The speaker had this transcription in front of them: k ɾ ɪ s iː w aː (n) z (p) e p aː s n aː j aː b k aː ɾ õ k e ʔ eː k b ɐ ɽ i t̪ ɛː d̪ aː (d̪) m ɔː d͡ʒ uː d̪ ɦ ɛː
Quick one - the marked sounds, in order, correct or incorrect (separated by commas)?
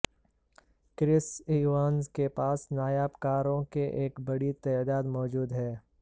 correct, incorrect, correct